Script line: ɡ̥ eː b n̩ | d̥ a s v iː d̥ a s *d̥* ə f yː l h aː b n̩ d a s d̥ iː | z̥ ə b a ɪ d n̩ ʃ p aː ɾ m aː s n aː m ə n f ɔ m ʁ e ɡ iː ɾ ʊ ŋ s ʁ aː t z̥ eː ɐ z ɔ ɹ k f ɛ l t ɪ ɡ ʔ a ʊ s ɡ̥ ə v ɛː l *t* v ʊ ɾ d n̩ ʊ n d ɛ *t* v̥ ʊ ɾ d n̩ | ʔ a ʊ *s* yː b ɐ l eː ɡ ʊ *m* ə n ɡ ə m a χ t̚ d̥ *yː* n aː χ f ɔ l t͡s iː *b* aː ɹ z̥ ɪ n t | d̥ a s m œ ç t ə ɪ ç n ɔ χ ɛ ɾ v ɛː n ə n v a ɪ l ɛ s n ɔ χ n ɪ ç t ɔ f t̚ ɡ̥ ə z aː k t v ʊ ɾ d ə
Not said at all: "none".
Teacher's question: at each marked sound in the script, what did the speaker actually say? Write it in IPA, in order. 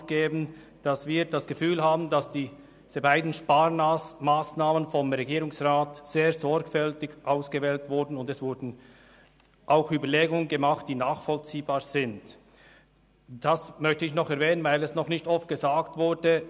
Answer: ɡ̥, t, s, x, ŋ, iː, b

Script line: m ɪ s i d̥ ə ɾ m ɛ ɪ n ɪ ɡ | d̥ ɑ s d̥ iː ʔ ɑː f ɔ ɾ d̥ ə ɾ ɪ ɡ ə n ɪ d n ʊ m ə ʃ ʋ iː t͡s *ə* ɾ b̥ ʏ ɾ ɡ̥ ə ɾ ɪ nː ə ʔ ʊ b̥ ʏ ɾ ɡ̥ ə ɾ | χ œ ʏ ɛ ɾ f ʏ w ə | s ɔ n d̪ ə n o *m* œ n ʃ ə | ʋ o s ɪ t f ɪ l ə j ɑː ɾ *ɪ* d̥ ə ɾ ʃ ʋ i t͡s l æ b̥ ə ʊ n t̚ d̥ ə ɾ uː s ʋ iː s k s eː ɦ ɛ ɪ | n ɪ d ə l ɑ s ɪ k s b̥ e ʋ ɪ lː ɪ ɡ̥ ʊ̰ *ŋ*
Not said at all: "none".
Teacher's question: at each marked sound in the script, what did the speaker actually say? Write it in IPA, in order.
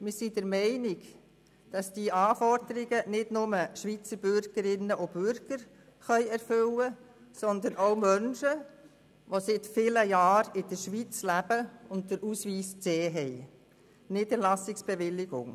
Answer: ə, m, ɪ, ŋ

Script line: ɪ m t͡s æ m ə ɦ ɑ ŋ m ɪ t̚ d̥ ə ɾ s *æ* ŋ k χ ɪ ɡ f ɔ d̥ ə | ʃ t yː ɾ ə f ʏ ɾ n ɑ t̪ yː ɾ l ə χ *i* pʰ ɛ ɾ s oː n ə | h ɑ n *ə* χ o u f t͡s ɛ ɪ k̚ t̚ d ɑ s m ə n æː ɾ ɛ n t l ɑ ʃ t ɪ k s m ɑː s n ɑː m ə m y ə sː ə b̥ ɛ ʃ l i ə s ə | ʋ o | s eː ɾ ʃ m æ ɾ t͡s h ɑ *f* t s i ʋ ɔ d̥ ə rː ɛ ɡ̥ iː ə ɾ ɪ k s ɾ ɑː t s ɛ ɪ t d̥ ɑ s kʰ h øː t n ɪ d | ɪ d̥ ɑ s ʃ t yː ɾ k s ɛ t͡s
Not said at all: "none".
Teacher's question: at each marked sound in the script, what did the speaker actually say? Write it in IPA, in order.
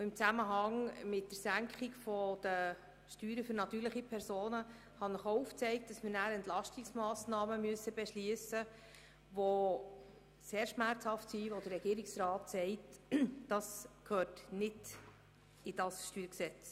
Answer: æ, i, ə, f

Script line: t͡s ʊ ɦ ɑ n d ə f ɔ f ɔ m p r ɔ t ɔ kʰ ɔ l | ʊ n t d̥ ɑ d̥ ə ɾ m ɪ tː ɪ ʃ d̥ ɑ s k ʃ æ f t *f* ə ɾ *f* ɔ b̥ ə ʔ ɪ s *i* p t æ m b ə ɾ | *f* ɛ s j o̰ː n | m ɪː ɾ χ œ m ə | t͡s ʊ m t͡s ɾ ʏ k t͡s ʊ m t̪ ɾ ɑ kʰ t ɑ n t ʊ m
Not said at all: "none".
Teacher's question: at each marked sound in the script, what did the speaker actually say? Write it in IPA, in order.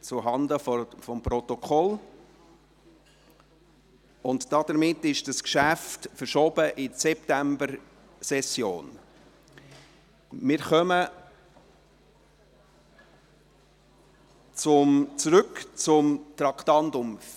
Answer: f, ʃ, ɛ, s

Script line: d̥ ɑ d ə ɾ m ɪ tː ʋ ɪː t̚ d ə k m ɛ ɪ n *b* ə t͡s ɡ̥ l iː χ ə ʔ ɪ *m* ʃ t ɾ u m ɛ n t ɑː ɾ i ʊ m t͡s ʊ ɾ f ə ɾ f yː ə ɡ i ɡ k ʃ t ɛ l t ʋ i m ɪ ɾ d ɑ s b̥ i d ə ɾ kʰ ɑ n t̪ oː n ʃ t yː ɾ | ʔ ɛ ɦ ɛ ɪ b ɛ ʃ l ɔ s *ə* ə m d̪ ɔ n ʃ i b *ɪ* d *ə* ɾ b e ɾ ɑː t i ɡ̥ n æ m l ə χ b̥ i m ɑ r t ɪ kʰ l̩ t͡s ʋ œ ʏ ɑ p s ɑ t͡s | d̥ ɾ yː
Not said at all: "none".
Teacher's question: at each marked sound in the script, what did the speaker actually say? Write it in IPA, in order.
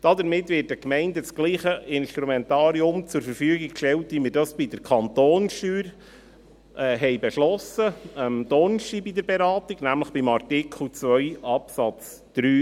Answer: d, n, ə, i, ə

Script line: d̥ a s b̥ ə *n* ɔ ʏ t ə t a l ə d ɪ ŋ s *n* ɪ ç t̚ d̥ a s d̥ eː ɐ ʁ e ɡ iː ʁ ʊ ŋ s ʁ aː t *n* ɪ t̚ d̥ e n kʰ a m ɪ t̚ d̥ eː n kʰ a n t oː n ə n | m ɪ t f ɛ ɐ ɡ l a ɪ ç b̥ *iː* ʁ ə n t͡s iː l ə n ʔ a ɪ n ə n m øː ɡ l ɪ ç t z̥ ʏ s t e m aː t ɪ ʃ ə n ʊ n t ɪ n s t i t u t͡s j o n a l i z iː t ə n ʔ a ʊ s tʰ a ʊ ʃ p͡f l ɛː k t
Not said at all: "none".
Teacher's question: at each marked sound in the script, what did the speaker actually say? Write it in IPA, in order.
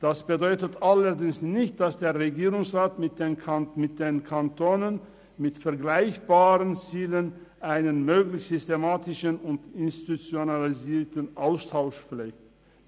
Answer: d, n, m, aː

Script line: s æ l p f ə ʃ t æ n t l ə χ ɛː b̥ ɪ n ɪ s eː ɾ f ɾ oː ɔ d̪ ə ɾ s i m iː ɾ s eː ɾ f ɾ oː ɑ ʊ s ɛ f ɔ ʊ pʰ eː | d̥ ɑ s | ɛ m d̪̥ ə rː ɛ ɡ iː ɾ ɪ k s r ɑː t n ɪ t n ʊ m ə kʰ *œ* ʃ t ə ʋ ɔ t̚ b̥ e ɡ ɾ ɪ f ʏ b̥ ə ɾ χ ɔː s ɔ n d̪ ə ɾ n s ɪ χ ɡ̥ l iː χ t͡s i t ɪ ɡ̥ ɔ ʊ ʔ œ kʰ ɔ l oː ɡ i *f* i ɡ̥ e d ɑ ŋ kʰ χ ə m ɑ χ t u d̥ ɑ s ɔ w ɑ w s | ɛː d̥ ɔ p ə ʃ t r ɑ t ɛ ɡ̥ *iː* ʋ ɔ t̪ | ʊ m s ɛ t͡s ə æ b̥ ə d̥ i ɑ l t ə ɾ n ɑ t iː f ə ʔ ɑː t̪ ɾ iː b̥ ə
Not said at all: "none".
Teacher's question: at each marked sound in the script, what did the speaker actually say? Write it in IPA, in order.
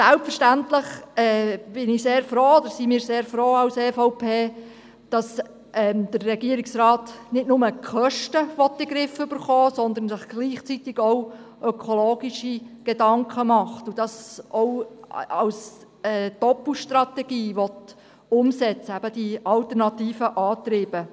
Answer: œ, ʃ, iː

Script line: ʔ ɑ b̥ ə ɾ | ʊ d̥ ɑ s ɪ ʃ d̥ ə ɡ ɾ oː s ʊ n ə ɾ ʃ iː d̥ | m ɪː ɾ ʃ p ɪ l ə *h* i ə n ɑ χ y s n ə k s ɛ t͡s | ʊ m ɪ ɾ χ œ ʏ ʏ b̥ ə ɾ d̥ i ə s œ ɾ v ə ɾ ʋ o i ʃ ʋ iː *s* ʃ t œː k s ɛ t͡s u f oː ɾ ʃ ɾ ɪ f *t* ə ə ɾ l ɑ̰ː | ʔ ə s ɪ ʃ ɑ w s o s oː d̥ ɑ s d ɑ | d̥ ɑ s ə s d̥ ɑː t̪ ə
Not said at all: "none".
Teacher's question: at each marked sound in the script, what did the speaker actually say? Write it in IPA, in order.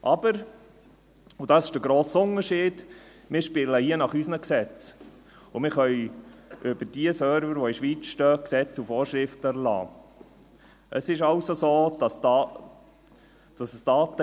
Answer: h, t͡s, t

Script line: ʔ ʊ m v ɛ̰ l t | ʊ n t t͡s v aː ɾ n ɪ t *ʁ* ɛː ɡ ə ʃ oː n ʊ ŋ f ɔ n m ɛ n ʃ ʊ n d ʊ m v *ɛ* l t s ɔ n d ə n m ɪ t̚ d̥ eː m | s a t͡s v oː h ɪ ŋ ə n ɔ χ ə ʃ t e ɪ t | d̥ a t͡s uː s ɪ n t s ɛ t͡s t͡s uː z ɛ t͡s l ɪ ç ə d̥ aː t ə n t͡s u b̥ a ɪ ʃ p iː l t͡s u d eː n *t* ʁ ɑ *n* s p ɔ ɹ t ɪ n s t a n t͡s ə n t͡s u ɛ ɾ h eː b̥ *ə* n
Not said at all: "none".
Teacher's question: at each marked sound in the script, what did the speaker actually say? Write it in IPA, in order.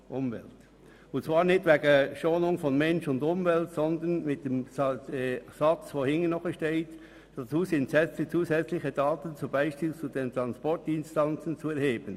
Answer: v, ɛ, t, n, ə

